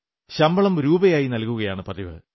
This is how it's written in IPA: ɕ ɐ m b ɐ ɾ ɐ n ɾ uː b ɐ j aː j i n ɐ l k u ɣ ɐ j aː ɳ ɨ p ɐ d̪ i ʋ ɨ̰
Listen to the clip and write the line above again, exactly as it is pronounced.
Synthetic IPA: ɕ ɐ m b ɐ ɭ ɐ m ɾ uː b ɐ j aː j i n ɐ l k u ɣ ɐ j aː ɳ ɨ p ɐ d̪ i ʋ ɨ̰